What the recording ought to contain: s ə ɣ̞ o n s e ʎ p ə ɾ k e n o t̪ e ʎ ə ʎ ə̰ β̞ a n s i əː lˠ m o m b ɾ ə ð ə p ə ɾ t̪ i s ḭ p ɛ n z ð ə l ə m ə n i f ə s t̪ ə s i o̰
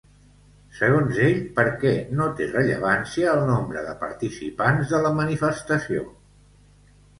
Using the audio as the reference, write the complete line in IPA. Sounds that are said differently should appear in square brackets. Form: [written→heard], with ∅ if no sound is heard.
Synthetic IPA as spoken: s ə ɣ̞ o n [s→z] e ʎ p ə ɾ k [e→ɛ] n o t̪ e [ʎ→r] ə ʎ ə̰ β̞ a n s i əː lˠ [m→n] o m b ɾ ə ð ə p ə ɾ t̪ i s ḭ p [ɛ→a] n z ð ə l ə m ə n i f ə s t̪ ə s i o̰